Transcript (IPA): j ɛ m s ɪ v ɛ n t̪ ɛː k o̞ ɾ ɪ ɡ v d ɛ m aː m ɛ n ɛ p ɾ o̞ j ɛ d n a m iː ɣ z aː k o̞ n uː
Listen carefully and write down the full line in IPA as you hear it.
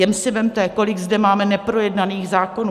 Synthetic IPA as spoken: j ɛ m s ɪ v ɛ m t̪ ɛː k o̞ l ɪ ɡ z d ɛ m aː m ɛ n ɛ p ɾ o̞ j ɛ d n a n iː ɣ z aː k o̞ n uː